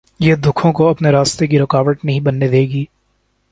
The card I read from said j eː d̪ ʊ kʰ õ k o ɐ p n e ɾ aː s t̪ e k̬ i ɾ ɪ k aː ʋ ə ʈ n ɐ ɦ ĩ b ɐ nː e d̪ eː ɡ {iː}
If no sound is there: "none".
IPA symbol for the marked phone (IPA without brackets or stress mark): iː